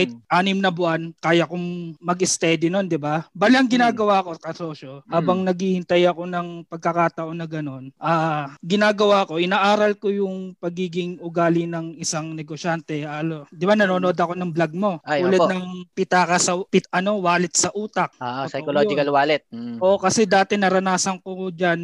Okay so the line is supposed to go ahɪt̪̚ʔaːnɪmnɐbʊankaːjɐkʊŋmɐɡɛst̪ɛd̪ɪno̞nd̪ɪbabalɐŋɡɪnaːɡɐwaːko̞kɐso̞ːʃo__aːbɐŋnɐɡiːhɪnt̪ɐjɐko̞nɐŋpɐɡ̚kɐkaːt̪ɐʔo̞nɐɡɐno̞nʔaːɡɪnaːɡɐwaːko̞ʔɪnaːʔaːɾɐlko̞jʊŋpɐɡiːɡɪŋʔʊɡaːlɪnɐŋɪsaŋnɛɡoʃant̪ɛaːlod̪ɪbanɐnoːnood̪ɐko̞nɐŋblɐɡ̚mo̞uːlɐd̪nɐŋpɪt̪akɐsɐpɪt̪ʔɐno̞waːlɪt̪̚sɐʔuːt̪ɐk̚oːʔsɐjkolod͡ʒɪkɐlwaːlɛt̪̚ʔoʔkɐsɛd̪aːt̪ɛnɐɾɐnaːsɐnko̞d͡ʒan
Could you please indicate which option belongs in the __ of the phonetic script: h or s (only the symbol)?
h